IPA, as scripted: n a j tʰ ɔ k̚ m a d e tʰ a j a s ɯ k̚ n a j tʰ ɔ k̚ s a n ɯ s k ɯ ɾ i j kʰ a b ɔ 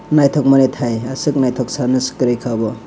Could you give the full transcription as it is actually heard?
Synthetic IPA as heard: n a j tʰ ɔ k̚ m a n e tʰ a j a s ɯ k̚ n a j tʰ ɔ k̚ s a n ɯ s k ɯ ɾ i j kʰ a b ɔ

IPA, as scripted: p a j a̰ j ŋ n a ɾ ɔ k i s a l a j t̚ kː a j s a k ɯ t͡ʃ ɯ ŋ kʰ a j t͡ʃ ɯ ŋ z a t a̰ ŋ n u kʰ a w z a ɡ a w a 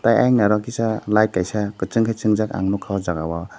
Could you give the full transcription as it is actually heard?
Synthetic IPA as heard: t a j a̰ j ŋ n a ɾ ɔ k i s a l a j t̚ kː a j s a k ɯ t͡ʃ ɯ ŋ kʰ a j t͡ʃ ɯ ŋ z a k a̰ ŋ n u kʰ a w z a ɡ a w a

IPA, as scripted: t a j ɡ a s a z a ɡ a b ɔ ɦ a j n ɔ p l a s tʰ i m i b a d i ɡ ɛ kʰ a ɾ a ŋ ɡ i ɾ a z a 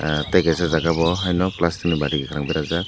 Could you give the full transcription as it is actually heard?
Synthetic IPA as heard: t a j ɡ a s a z a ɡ a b ɔ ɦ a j n ɔ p l a s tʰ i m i b a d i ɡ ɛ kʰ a ɾ a ŋ b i ɾ a z a

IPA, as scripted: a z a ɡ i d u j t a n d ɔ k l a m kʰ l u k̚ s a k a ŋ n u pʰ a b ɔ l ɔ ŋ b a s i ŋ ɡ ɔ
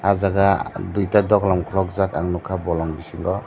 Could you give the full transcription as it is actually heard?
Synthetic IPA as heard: a z a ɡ a d u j t a d ɔ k l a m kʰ l ɔ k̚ z a k a ŋ n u kʰ a b ɔ l ɔ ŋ b i s i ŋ ɡ ɔ

